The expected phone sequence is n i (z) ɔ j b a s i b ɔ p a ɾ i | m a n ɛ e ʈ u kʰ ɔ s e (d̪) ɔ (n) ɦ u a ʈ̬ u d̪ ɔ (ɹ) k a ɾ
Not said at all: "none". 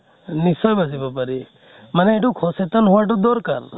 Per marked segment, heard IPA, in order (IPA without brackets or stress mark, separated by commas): s, t̪, n, ɾ